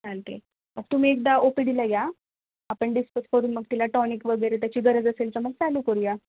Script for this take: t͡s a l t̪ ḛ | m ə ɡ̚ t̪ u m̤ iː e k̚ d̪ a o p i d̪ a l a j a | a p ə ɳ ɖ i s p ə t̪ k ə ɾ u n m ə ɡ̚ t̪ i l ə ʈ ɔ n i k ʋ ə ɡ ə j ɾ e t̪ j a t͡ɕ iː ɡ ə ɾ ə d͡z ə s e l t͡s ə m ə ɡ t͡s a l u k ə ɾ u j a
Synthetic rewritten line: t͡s a l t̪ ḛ | m ə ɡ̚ t̪ u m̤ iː e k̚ d̪ a o p i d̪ i l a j a | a p ə ɳ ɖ i s p ə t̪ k ə ɾ uː n m ə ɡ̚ t̪ i l a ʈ ɔ n i k ʋ ə ɡ ə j ɾ e t̪ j a t͡ɕ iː ɡ ə ɾ ə d͡z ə s e l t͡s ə m ə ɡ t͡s a l u k ə ɾ u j a